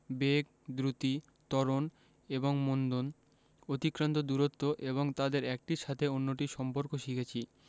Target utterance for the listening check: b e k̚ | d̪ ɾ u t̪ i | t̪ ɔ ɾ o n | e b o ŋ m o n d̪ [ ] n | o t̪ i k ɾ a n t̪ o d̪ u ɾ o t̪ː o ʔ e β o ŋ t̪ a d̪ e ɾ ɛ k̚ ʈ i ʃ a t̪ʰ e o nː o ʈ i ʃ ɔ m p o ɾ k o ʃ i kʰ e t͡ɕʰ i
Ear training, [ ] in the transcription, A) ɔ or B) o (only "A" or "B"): B